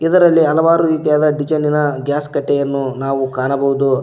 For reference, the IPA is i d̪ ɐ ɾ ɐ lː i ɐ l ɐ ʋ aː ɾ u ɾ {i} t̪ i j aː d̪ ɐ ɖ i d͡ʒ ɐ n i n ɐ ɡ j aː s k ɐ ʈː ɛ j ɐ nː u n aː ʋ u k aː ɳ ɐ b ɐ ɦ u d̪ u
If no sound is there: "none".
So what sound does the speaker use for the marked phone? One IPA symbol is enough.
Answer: iː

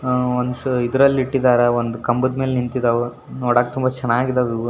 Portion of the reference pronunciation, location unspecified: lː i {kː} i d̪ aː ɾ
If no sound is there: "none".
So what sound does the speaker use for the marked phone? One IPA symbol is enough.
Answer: ʈː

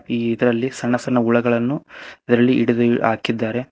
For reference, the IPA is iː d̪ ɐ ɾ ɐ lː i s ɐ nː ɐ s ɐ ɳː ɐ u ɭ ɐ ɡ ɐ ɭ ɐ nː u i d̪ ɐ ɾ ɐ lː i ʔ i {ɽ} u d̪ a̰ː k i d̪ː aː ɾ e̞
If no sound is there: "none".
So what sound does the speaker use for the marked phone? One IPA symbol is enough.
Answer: ɽ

